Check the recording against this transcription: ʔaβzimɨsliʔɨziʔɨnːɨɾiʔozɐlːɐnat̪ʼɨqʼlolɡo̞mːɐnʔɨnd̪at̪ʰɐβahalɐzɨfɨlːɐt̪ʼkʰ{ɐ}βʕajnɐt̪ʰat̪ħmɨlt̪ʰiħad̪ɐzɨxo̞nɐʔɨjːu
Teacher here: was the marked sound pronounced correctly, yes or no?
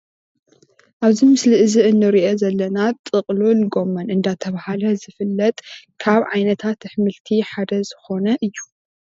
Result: no